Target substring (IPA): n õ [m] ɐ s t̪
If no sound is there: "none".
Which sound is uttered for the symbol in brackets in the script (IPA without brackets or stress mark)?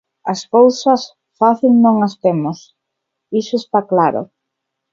ŋ